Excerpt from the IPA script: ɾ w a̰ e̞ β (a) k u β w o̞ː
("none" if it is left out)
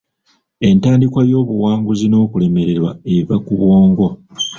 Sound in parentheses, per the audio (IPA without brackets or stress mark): a